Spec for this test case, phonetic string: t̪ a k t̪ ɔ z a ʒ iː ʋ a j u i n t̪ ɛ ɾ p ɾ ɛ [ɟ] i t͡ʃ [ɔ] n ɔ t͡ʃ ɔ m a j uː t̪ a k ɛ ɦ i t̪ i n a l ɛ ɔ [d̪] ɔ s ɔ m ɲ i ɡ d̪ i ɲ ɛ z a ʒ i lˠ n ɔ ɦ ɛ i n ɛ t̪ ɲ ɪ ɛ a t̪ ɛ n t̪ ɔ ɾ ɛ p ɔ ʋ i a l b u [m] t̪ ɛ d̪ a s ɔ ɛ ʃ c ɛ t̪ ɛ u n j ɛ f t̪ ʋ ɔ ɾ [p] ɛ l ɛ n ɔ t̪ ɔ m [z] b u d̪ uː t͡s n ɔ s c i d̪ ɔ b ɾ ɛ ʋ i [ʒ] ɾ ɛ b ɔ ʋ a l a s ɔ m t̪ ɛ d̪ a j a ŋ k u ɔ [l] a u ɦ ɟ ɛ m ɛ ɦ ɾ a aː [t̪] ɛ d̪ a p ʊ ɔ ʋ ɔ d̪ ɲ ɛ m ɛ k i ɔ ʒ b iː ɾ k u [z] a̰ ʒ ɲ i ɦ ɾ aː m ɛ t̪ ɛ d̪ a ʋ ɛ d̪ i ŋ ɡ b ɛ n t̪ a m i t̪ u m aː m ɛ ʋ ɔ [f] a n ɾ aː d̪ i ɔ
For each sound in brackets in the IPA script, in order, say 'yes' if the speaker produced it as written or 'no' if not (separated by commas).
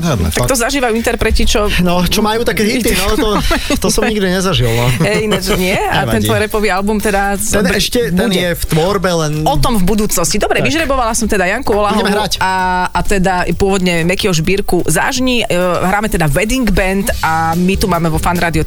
no, yes, no, yes, no, no, yes, yes, yes, yes, yes